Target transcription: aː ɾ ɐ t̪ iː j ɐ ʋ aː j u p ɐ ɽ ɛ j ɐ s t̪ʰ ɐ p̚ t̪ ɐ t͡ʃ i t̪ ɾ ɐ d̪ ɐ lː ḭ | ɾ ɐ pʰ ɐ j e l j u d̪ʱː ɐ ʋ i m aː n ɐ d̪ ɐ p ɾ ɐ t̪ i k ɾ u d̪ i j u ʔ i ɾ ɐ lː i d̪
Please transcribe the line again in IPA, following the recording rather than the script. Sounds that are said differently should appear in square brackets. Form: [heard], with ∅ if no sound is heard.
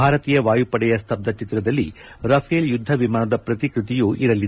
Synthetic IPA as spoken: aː ɾ ɐ t̪ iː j ɐ ʋ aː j u p ɐ ɽ ɛ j ɐ s t̪ʰ ɐ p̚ [d̪] ɐ t͡ʃ i t̪ ɾ ɐ d̪ ɐ lː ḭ | ɾ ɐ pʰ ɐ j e l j u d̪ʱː ɐ ʋ i m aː n ɐ d̪ ɐ p ɾ ɐ t̪ i k ɾ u [t̪] i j u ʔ i ɾ ɐ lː i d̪